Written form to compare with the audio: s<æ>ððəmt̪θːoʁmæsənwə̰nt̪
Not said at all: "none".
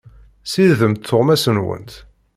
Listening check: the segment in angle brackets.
i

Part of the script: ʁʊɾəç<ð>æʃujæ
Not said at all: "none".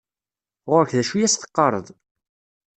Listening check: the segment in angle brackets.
ð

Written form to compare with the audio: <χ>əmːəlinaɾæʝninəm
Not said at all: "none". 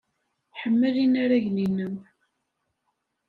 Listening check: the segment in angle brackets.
ħ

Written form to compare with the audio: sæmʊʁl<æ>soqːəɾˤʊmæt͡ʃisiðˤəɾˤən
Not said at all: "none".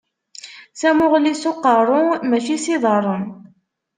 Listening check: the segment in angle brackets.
i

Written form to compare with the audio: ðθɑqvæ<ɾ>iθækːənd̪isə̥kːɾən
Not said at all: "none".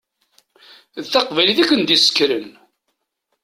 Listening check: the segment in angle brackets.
l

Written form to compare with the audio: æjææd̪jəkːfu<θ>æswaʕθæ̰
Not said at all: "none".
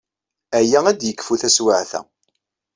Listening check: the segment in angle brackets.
θ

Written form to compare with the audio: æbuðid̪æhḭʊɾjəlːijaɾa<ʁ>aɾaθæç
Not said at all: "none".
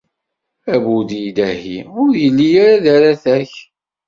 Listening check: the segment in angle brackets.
ð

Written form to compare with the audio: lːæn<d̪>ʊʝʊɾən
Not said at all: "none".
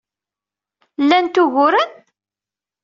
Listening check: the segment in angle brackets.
t̪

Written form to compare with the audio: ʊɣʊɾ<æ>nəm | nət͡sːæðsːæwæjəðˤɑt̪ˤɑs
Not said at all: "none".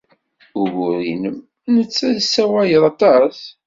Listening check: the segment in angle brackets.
i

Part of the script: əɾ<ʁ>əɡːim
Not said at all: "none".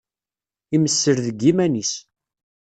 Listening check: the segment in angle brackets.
ð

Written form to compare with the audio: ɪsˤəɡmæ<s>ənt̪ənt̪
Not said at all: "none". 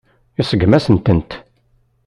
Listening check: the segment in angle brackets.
s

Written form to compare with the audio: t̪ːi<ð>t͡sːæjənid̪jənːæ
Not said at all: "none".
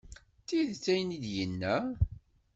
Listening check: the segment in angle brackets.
ð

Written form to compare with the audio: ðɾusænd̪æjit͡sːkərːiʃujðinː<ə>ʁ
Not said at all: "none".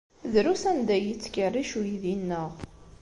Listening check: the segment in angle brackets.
ə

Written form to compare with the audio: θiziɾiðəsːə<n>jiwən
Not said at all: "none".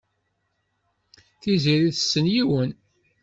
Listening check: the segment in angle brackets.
n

